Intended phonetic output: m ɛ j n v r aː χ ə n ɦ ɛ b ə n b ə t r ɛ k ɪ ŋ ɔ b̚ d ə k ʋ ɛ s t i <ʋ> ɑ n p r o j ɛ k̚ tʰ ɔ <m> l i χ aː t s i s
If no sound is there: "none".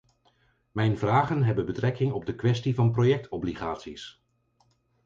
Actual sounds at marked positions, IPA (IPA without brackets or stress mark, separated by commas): v, b